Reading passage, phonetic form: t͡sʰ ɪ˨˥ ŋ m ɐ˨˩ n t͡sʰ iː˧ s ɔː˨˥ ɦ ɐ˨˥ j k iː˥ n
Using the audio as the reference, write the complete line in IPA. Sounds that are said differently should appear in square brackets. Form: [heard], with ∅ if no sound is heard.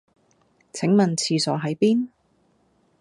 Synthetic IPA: t͡sʰ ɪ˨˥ ŋ m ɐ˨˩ n t͡sʰ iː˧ s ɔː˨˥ ɦ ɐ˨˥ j [p] iː˥ n